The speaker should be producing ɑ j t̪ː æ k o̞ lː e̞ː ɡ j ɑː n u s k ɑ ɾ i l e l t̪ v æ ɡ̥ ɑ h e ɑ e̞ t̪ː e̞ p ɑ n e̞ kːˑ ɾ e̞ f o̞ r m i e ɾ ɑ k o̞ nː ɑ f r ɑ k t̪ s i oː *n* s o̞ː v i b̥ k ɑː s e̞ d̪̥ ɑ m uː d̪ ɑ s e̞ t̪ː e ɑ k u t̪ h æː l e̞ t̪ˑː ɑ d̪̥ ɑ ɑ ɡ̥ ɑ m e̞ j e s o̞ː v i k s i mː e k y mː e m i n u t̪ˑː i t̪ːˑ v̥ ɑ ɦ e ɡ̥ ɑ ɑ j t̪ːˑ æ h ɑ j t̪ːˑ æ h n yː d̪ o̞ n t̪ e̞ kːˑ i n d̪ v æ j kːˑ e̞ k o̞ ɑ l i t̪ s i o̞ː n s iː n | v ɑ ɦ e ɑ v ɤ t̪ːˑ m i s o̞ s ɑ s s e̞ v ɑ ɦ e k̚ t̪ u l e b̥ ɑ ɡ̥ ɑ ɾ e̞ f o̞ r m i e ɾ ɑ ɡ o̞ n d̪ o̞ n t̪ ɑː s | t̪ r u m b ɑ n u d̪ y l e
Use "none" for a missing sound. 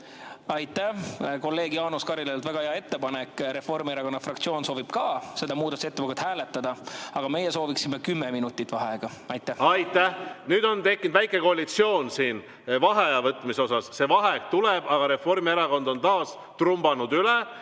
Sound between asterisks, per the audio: n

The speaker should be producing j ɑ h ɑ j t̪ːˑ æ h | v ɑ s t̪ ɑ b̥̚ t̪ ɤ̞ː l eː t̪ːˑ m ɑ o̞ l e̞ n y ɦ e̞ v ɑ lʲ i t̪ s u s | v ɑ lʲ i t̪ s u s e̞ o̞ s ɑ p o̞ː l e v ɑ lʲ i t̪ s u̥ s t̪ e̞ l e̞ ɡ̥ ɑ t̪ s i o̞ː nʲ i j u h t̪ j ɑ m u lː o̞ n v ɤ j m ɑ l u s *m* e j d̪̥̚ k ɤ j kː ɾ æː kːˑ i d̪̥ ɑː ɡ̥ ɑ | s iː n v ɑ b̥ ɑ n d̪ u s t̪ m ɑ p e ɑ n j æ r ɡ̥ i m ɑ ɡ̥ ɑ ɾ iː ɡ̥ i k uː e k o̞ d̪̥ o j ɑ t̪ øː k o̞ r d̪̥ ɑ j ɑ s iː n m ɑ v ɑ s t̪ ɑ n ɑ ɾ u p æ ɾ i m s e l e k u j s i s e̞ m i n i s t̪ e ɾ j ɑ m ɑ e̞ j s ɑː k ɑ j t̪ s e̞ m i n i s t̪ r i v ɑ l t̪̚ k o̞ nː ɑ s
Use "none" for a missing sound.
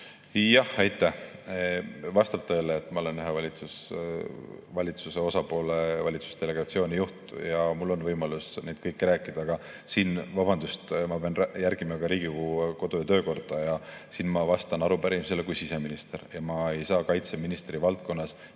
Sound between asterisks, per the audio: n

